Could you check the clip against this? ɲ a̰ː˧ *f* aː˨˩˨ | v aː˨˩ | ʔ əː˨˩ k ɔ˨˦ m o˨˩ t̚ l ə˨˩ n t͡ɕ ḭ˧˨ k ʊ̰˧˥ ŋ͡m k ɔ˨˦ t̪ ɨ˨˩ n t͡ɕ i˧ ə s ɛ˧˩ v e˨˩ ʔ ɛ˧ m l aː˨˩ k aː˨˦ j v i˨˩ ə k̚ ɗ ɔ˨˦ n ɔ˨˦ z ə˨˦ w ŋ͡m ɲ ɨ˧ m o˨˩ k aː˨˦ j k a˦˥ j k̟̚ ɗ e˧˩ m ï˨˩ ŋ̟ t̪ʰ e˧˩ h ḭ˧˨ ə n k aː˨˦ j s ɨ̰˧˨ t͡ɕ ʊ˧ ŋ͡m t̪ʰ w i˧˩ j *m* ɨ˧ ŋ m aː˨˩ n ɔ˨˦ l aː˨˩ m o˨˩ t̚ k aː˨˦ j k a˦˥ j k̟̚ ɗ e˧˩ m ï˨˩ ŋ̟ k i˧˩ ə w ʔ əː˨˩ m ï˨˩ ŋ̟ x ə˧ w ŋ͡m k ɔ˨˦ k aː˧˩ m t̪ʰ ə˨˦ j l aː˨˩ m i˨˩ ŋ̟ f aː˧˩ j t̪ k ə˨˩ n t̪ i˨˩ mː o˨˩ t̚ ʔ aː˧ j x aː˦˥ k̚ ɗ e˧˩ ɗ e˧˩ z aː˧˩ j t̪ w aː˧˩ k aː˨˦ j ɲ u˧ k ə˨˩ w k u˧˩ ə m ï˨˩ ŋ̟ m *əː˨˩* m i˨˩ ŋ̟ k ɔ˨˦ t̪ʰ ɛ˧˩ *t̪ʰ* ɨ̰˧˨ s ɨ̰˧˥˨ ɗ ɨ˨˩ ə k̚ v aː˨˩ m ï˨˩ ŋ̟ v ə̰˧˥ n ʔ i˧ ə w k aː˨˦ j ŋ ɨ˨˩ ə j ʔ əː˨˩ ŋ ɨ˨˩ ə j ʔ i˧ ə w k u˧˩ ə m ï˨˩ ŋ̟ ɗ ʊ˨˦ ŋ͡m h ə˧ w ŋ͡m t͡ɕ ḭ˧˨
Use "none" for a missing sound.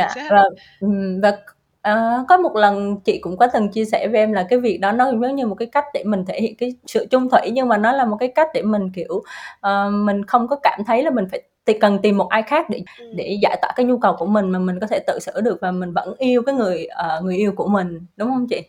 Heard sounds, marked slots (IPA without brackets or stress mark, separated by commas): v, ɲ, aː˨˩, t̪